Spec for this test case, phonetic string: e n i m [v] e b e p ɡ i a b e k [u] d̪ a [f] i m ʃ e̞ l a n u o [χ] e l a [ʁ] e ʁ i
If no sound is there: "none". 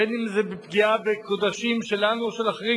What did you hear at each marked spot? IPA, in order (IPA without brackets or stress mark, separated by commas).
z, o, ʃ, ʃ, χ